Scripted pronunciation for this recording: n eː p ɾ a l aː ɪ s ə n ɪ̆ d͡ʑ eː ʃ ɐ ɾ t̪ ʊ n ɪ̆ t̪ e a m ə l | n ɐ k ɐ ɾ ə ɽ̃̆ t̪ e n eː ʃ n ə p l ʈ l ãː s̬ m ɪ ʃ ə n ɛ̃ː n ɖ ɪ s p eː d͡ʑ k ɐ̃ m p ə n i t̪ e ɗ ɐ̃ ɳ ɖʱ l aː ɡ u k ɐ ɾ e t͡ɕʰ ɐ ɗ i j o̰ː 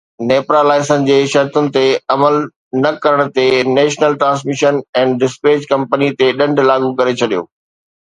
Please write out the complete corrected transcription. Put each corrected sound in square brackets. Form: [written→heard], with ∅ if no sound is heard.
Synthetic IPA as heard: n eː p ɾ a l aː ɪ s ə n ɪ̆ d͡ʑ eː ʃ ɐ ɾ t̪ ʊ n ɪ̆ t̪ e [a→ɐ] m ə l | n ɐ k ɐ ɾ ə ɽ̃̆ t̪ e n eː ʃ n ə [p→∅] l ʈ [l→ɾ] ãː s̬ m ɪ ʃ ə n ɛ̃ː n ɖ ɪ s p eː d͡ʑ k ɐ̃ m p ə n i t̪ e ɗ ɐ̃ ɳ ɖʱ l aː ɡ u k ɐ ɾ e t͡ɕʰ ɐ ɗ i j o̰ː